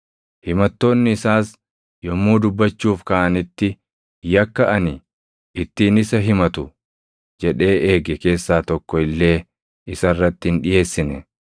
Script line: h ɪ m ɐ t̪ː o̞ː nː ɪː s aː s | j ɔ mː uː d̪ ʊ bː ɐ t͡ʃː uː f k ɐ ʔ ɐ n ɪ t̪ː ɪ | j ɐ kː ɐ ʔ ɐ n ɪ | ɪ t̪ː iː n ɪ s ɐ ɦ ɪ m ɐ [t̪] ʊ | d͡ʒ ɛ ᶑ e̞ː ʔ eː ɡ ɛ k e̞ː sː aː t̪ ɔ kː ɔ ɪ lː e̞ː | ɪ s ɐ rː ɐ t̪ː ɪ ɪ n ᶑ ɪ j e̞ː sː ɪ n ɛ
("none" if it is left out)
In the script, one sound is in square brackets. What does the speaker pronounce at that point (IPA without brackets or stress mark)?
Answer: t̪